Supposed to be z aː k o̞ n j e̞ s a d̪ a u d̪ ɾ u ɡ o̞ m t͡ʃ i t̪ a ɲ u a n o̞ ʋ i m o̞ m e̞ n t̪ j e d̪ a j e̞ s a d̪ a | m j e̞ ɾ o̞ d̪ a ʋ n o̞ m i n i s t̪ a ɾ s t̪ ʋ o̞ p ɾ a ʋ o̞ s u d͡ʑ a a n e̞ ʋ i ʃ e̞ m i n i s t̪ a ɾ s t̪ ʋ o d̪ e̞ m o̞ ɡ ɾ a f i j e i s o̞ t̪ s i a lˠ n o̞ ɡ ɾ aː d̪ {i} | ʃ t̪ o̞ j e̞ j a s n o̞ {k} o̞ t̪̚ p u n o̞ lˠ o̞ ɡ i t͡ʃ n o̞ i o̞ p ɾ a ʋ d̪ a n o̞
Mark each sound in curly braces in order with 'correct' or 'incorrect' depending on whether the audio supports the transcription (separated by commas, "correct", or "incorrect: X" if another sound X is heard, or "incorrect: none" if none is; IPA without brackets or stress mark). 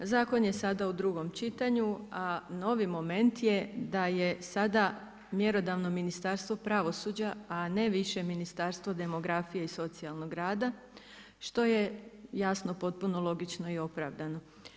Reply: incorrect: a, incorrect: p